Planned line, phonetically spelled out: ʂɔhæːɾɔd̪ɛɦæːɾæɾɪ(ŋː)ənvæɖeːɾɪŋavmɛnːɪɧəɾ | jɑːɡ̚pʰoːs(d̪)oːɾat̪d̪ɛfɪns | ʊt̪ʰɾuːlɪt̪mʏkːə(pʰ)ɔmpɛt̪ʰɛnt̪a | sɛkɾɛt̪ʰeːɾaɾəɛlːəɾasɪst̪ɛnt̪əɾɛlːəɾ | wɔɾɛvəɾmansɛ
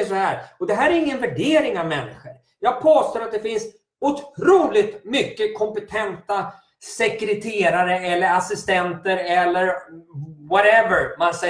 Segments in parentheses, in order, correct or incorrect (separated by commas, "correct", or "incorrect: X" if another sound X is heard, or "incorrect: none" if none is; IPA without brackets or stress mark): correct, incorrect: t̪, incorrect: kʰ